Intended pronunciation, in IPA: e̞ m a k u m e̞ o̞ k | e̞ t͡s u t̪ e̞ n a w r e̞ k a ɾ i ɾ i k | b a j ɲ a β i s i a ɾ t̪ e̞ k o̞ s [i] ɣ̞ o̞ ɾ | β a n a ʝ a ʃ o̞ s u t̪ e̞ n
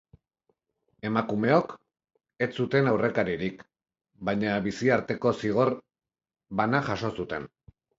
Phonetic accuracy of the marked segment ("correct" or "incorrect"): correct